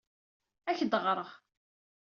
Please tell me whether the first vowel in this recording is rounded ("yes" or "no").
no